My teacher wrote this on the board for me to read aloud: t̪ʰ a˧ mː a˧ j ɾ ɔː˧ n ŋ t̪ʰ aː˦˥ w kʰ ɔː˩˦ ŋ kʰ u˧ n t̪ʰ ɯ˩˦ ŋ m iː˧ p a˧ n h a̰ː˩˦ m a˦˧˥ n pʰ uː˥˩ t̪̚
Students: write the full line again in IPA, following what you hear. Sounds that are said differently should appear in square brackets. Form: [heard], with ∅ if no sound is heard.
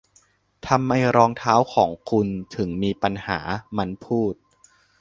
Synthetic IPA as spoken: t̪ʰ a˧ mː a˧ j ɾ ɔː˧ [∅] ŋ t̪ʰ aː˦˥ w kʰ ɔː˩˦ ŋ kʰ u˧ n t̪ʰ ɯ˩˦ ŋ m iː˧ p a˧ n h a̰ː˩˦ m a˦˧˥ n pʰ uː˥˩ t̪̚